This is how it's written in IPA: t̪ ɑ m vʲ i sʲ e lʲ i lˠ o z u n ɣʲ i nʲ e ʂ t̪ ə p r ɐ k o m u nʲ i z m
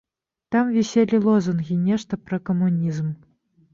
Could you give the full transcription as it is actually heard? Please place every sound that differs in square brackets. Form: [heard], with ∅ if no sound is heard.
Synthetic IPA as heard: t̪ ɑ m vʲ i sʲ e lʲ i lˠ o z u n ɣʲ i nʲ e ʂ t̪ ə p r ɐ k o m u nʲ i z m